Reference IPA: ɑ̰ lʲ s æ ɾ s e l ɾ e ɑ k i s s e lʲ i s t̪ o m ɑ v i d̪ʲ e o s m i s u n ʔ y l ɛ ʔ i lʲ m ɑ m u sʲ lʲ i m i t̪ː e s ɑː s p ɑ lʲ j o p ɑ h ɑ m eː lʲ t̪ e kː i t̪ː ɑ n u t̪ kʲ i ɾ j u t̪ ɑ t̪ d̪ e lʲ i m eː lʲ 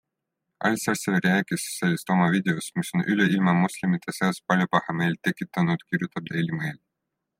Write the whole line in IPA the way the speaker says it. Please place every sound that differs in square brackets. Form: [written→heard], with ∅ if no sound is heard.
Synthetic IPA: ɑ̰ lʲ s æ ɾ s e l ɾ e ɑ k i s s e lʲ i s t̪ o m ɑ v i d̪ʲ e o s m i s [u→o] n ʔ y l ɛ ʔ i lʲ m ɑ m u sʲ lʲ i m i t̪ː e s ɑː s p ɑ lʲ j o p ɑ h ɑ m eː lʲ t̪ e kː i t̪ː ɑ n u t̪ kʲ i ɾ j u t̪ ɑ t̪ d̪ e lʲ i m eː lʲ

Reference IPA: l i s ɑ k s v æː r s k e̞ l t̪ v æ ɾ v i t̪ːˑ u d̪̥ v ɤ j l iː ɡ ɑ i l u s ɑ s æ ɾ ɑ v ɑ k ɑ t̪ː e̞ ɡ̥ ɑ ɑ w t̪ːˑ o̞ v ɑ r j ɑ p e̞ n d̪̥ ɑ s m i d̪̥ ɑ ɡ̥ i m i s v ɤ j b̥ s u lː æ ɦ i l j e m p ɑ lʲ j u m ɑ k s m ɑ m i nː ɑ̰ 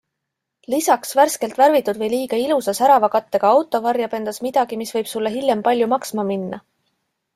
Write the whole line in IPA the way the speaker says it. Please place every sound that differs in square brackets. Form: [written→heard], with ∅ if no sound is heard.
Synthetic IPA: l i s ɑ k s v [æː→æ] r s k e̞ l t̪ v æ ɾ v i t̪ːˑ u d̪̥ v ɤ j l iː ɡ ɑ i l u s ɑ s æ ɾ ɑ v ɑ k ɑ t̪ː e̞ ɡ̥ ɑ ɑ w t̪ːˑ o̞ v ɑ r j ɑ p e̞ n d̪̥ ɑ s m i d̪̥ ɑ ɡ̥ i m i s v ɤ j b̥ s u lː [æ→e] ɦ i l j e m p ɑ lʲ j u m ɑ k s m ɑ m i nː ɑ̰

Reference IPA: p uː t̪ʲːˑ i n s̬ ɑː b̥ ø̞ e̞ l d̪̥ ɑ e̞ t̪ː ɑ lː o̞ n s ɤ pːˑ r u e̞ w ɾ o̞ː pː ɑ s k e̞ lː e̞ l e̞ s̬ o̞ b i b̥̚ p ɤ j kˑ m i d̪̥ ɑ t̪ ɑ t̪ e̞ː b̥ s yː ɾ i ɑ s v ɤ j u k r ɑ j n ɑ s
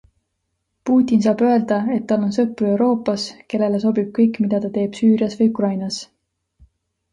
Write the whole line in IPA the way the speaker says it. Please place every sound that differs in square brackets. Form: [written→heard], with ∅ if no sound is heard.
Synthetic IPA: p uː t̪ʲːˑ i n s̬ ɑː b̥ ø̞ e̞ l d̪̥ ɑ e̞ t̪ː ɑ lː o̞ n s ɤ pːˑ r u e̞ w ɾ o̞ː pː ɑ s k e̞ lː e̞ l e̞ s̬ o̞ b i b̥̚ [p→k] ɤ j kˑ m i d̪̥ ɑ t̪ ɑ t̪ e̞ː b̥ s yː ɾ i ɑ s v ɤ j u k r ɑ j n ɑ s

